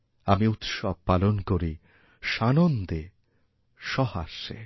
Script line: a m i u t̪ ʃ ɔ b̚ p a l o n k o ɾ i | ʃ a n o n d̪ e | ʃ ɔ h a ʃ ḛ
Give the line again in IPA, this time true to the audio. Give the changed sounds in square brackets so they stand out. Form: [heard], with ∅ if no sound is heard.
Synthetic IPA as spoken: a m i u t̪ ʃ ɔ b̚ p a l o n k o ɾ i | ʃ a n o n d̪ e | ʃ ɔ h a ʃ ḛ